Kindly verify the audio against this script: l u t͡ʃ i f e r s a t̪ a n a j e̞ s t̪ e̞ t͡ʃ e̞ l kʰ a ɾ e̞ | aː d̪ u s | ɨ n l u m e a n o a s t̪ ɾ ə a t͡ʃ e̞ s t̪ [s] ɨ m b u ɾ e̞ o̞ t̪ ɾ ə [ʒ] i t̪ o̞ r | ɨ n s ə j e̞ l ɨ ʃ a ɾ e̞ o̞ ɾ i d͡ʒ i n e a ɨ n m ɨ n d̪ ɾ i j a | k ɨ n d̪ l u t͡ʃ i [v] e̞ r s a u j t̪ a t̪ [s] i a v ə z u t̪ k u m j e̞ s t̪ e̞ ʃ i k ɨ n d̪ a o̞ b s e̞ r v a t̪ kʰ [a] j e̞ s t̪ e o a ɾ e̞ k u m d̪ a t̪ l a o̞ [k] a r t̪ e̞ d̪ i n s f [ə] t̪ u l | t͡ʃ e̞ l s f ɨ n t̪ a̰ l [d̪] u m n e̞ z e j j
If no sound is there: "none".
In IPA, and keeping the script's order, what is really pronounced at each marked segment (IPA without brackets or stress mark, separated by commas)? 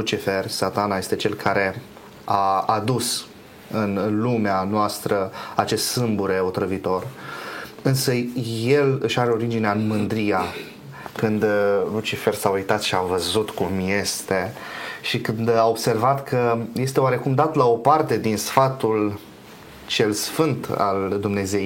s, v, f, ʃ, ə, p, a, d̪